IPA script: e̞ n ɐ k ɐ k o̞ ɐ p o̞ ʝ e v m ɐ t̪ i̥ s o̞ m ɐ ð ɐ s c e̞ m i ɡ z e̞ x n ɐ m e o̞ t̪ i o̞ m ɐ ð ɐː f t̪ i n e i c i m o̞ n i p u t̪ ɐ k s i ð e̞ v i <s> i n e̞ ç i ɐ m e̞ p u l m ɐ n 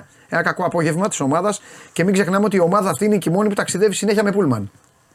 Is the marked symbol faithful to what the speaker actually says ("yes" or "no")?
yes